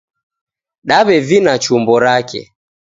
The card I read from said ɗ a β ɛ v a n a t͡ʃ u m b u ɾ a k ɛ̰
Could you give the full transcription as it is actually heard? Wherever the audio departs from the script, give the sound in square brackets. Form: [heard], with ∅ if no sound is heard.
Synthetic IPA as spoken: ɗ a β ɛ v [i] n a t͡ʃ u m b [ɔ] ɾ a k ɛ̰